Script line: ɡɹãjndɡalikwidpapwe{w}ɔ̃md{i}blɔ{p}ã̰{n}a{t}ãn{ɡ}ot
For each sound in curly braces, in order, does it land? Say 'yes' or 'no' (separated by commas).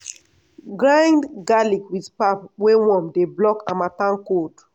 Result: yes, no, no, no, yes, no